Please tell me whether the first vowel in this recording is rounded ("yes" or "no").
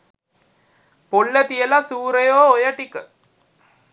yes